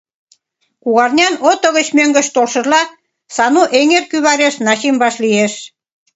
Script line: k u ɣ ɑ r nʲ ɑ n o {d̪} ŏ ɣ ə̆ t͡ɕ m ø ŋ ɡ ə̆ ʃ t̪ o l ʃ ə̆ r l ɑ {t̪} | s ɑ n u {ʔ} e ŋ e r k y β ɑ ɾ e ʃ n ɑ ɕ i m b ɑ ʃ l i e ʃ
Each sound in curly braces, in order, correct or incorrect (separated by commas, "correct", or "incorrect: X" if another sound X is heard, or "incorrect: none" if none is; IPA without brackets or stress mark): incorrect: t̪, incorrect: none, correct